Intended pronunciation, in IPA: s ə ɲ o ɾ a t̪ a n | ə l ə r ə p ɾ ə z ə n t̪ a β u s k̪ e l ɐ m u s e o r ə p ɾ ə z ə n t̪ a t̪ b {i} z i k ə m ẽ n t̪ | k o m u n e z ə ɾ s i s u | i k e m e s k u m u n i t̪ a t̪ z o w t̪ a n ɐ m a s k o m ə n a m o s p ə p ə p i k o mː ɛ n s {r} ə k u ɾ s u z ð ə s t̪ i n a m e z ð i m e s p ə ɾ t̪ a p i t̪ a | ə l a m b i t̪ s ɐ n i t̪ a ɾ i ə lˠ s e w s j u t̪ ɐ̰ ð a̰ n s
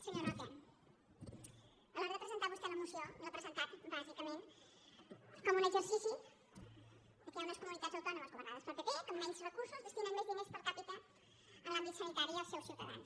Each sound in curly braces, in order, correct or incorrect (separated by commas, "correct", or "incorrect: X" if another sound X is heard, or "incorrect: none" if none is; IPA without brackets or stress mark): incorrect: a, correct